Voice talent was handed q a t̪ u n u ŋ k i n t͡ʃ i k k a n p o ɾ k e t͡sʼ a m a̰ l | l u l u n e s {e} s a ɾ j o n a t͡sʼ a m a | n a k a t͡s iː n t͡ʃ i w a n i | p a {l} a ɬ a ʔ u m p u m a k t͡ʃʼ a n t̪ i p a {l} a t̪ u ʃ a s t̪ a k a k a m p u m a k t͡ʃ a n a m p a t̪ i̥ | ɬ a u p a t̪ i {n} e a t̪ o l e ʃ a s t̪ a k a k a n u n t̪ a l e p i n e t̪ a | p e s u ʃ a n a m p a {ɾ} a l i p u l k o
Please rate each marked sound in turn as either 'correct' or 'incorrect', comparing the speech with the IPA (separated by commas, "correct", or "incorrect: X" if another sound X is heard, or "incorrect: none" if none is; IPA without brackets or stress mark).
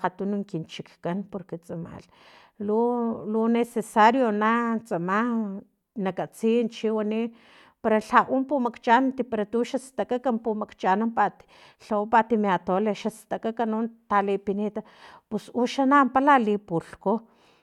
correct, incorrect: ɾ, incorrect: ɾ, incorrect: m, incorrect: l